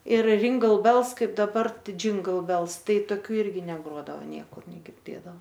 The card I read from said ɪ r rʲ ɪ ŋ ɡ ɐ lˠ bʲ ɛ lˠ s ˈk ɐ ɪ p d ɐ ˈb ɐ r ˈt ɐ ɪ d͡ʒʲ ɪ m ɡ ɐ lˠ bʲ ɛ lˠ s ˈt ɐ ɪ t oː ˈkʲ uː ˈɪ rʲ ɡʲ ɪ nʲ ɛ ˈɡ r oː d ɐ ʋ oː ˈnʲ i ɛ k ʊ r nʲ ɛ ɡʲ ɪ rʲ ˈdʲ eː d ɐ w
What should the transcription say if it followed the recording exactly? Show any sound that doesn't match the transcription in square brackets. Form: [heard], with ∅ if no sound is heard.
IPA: ɪ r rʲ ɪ ŋ ɡ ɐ lˠ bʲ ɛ lˠ s ˈk ɐ ɪ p d ɐ ˈb ɐ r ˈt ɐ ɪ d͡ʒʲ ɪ [ŋ] ɡ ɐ lˠ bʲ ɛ lˠ s ˈt ɐ ɪ t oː ˈkʲ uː ˈɪ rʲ ɡʲ ɪ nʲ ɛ ˈɡ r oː d ɐ ʋ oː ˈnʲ i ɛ k ʊ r nʲ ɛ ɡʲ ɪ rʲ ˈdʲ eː d ɐ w